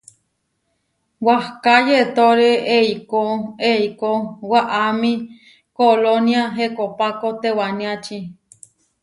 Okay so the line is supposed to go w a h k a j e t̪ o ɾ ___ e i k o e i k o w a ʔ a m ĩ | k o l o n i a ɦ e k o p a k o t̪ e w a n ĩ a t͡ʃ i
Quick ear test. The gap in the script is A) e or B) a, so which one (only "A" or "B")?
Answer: A